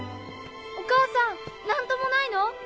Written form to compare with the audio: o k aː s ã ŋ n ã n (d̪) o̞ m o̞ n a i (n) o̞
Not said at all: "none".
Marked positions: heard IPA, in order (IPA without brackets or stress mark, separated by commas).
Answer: t̪, n